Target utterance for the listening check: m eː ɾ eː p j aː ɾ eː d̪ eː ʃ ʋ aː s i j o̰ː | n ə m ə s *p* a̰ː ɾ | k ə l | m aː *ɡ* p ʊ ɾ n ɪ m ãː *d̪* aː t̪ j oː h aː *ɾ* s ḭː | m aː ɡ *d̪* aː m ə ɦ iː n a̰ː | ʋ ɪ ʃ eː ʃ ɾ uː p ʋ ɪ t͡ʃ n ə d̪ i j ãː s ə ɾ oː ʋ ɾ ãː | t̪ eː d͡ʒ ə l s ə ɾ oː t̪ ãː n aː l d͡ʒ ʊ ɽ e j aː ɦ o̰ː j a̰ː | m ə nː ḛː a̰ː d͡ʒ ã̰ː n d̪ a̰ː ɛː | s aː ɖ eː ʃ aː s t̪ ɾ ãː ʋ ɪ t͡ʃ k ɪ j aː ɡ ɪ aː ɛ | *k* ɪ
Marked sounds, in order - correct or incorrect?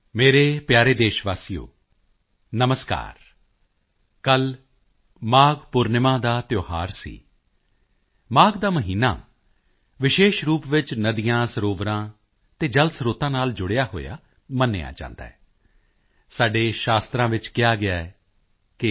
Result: incorrect: k, correct, correct, correct, correct, correct

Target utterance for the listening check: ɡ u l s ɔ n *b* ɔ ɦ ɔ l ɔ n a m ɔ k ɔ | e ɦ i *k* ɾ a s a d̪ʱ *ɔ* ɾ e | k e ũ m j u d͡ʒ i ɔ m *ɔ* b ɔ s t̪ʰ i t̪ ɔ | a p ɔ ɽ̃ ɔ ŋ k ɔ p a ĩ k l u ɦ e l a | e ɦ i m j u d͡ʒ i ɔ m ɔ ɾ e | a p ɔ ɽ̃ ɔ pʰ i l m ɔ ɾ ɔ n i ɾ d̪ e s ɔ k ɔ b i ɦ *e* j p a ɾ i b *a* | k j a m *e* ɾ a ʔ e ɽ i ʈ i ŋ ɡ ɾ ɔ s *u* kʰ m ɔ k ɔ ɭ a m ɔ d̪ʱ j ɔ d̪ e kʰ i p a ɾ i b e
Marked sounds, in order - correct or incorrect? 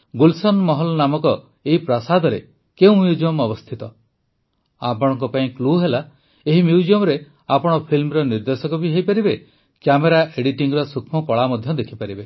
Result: incorrect: m, incorrect: p, correct, correct, correct, incorrect: e, correct, correct

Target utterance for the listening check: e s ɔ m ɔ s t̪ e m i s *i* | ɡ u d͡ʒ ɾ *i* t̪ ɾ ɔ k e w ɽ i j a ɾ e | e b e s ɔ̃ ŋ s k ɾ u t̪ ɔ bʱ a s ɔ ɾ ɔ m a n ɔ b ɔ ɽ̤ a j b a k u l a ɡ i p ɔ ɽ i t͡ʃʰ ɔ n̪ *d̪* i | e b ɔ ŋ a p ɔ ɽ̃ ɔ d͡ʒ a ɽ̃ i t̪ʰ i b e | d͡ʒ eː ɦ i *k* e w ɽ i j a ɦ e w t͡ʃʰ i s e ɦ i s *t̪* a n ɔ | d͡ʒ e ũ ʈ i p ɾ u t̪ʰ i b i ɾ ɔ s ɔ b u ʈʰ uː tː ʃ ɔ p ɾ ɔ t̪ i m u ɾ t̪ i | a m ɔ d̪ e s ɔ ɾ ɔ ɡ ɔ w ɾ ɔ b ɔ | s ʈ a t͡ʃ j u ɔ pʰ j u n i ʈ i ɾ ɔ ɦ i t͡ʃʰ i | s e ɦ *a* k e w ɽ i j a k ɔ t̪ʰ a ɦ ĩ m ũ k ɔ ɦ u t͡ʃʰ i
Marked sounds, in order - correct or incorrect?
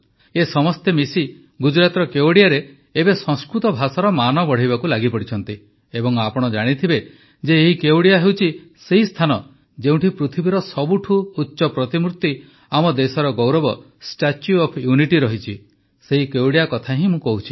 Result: correct, incorrect: a, incorrect: t̪, correct, incorrect: t̪ʰ, incorrect: i

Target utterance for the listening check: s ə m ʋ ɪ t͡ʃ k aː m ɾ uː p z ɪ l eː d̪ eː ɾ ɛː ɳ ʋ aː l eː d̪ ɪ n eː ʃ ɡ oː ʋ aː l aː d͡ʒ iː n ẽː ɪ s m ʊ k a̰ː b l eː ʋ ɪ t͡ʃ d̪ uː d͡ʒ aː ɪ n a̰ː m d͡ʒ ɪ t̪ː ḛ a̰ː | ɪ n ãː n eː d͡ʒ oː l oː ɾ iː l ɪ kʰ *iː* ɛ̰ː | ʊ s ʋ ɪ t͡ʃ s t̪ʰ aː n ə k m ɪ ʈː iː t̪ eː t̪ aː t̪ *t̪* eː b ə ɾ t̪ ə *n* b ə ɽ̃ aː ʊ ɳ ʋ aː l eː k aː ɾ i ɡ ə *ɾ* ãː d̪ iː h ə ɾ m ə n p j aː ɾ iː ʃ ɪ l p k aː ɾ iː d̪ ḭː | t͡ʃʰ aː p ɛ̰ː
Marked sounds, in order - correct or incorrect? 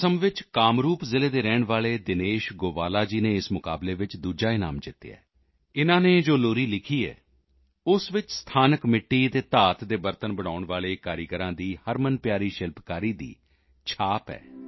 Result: correct, incorrect: d̪, correct, correct

